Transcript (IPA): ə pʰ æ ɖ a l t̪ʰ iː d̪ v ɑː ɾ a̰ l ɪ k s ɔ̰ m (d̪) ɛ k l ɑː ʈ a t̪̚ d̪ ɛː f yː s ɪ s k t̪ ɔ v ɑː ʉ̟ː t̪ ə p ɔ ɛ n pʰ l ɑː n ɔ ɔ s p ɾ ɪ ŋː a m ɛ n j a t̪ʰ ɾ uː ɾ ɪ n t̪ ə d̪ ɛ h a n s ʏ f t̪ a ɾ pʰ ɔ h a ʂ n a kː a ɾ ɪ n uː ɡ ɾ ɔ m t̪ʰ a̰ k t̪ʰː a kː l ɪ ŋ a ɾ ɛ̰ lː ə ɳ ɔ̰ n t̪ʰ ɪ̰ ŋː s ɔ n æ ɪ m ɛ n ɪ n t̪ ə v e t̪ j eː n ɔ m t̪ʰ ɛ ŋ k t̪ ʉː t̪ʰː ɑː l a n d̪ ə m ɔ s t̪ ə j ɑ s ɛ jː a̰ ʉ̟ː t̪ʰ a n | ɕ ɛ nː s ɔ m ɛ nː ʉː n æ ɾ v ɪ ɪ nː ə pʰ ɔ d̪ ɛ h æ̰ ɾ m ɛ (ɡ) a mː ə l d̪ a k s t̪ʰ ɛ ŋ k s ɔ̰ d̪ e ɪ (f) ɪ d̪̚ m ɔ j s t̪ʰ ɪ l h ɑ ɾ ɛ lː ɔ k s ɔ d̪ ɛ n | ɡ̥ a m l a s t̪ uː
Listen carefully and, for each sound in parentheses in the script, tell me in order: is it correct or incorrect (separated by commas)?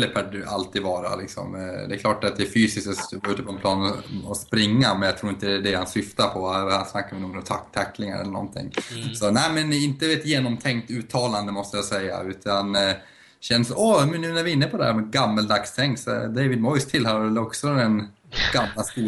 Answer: correct, correct, incorrect